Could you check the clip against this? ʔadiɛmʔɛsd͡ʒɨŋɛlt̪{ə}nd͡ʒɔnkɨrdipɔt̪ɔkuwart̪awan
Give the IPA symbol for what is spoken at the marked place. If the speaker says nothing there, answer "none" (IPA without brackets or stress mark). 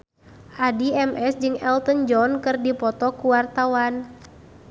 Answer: ə